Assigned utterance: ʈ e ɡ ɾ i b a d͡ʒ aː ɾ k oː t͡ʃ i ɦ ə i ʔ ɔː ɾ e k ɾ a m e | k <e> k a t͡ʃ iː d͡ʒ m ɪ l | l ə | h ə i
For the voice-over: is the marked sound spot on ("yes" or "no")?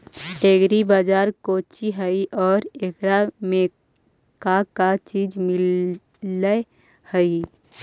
no